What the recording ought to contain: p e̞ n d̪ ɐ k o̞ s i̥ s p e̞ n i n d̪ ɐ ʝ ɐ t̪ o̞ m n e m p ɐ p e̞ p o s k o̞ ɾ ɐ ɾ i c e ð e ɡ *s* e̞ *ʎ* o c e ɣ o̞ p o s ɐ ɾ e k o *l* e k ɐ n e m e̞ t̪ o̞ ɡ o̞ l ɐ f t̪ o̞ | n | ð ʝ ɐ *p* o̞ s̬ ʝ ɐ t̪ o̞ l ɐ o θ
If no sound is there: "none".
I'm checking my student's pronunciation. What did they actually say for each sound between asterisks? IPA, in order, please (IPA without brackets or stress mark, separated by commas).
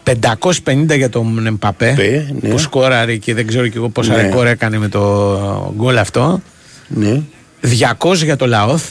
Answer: z, ɾ, ɾ, k